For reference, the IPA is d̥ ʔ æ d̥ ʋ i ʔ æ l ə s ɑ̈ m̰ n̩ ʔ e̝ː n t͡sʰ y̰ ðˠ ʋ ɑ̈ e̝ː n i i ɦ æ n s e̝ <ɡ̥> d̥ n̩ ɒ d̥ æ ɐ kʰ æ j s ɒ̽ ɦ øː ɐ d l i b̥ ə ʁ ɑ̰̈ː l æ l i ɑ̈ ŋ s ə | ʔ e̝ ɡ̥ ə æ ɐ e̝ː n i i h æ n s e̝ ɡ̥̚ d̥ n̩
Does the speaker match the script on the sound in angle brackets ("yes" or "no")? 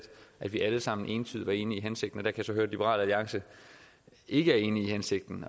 yes